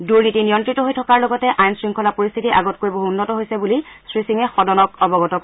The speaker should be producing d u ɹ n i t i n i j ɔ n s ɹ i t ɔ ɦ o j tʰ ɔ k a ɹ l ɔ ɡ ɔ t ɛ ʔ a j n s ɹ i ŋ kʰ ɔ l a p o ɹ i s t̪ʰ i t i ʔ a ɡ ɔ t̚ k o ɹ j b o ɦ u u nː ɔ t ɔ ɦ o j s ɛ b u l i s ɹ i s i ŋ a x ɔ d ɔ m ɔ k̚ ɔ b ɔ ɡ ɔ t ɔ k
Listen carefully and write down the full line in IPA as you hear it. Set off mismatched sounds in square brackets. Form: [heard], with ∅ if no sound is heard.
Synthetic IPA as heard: d u ɹ n i t i n i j ɔ n [t] ɹ i t ɔ ɦ o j tʰ ɔ k a ɹ l ɔ ɡ ɔ t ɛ ʔ a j n s ɹ i ŋ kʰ ɔ l a p o ɹ i s t̪ʰ i t i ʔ a ɡ ɔ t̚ k o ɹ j b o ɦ u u nː ɔ t ɔ ɦ o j s ɛ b u l i s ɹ i s i ŋ [ɛ] x ɔ d ɔ [n] ɔ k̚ ɔ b ɔ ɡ ɔ t ɔ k